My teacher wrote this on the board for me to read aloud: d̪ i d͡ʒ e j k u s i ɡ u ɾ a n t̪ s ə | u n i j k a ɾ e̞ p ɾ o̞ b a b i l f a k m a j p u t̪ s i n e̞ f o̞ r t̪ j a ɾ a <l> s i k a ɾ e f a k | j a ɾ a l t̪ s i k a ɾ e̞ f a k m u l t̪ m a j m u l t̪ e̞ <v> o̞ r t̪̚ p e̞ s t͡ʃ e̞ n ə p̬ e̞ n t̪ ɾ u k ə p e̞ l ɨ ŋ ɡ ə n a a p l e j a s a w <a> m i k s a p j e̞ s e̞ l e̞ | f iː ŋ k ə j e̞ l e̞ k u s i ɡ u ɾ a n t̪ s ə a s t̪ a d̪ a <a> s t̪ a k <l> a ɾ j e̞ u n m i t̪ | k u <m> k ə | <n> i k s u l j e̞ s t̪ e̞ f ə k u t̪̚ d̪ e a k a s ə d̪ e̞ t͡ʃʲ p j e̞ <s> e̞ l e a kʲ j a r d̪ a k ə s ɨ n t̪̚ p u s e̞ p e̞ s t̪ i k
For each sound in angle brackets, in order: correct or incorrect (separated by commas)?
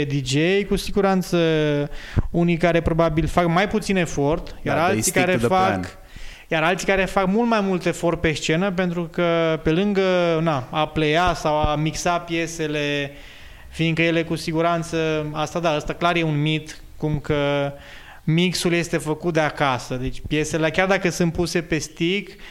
correct, incorrect, correct, incorrect, correct, correct, incorrect, correct